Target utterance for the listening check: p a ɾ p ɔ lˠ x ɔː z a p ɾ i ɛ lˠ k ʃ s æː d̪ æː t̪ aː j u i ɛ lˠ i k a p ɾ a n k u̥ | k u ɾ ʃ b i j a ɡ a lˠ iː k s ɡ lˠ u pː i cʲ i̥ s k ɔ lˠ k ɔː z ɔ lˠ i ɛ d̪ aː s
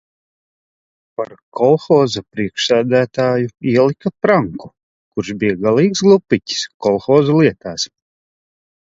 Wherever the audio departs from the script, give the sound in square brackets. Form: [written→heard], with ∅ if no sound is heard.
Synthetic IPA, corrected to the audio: p a ɾ [p→k] ɔ lˠ x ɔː z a p ɾ i ɛ [lˠ→∅] k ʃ s æː d̪ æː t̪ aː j u i ɛ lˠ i k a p ɾ a [n→ŋ] k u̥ | k u ɾ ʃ b i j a ɡ a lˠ iː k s ɡ lˠ u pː i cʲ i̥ s k ɔ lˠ [k→x] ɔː z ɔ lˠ i ɛ [d̪→t̪] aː s